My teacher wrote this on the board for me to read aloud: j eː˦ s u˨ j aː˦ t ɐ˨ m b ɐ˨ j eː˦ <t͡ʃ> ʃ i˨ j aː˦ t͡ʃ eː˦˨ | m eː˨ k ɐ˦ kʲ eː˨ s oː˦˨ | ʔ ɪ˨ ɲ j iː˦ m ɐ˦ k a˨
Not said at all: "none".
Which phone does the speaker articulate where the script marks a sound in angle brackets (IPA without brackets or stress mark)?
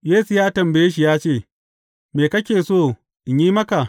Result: none